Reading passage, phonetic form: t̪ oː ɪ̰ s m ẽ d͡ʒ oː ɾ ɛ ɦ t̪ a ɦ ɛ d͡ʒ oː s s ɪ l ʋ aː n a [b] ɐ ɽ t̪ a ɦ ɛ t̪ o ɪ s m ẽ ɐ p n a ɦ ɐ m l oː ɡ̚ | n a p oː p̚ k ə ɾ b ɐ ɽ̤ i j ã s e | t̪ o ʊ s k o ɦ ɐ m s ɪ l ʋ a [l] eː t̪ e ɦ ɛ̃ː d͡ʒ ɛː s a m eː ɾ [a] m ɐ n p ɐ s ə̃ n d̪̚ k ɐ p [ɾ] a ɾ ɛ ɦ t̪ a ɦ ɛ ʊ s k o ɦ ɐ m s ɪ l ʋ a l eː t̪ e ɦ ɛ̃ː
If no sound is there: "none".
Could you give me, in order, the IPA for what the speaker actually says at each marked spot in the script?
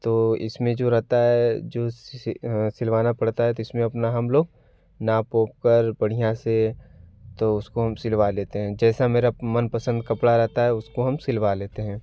p, l, a, ɽ

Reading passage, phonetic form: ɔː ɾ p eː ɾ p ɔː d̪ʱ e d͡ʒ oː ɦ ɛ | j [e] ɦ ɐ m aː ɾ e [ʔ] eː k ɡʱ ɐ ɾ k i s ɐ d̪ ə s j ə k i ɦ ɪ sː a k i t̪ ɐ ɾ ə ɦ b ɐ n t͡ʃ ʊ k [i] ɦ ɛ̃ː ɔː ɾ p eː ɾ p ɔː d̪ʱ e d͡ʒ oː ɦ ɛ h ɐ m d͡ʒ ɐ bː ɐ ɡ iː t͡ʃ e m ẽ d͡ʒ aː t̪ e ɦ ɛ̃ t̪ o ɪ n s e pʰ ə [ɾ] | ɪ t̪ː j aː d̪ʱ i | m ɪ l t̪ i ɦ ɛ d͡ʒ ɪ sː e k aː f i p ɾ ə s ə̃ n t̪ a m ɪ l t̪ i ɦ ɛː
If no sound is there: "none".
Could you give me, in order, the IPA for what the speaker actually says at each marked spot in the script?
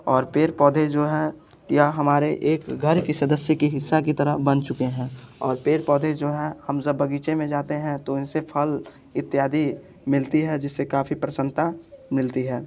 a, ʔ, e, l

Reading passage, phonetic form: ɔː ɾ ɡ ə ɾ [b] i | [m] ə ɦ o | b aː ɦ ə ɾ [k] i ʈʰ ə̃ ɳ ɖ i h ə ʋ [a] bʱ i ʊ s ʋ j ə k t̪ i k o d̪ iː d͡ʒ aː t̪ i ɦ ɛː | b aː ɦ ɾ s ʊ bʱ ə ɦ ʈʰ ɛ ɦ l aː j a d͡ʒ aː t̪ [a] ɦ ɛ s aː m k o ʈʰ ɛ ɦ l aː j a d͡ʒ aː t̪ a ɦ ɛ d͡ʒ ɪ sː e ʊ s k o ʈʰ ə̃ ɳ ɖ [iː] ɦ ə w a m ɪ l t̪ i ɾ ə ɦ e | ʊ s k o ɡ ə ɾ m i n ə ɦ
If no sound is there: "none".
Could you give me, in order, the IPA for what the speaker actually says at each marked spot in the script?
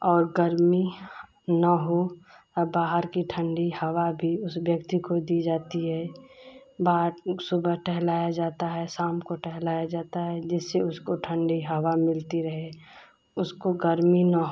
m, n, k, a, a, i

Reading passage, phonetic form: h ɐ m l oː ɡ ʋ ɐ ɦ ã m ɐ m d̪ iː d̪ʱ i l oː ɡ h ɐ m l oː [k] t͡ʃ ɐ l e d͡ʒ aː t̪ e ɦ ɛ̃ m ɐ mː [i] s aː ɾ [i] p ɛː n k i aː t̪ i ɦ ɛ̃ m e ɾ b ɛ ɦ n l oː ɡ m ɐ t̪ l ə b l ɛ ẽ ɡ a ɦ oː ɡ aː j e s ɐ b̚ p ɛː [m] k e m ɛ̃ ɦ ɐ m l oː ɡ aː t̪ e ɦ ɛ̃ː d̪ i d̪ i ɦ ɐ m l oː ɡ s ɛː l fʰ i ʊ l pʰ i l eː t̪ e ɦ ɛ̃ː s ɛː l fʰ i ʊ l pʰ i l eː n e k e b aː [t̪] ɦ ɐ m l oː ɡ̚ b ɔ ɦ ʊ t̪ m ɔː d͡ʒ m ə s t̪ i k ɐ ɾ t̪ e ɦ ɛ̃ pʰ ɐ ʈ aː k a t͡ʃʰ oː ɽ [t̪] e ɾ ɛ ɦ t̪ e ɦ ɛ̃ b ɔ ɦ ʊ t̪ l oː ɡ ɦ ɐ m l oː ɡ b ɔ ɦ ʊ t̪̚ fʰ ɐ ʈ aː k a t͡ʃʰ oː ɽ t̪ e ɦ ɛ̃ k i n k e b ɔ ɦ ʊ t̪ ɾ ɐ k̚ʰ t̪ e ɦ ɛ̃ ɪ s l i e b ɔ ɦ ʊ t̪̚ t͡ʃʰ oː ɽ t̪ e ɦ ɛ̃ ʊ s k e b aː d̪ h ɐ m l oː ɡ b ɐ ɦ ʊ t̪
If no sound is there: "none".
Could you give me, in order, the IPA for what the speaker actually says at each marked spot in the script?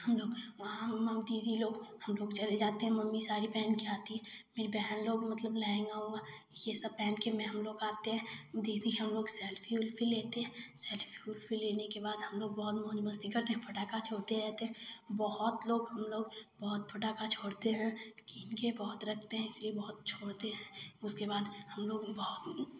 ɡ, i, i, n, d̪, t̪

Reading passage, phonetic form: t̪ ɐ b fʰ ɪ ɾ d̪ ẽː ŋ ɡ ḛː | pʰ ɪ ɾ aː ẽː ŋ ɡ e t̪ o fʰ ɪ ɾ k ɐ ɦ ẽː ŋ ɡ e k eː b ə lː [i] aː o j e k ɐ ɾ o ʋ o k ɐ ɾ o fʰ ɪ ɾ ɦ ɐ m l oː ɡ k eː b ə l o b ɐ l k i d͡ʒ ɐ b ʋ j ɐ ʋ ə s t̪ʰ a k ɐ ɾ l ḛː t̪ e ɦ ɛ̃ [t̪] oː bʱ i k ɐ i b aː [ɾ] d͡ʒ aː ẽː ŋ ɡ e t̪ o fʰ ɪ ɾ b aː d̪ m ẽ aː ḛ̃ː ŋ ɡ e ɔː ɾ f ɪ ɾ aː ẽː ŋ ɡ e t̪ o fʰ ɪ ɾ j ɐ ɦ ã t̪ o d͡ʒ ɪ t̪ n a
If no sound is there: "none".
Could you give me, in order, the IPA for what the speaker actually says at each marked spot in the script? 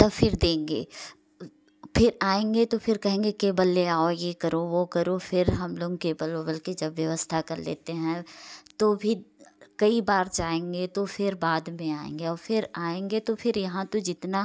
e, t̪, ɾ

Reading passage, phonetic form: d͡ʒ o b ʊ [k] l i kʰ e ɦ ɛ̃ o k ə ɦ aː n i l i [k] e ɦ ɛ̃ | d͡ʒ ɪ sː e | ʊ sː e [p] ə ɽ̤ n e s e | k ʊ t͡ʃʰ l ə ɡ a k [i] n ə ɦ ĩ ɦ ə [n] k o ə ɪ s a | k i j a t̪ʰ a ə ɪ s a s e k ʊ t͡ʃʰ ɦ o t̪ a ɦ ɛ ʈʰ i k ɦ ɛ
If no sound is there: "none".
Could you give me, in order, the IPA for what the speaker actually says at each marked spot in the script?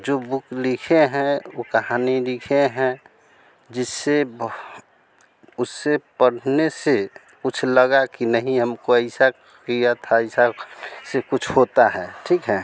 k, kʰ, p, i, m

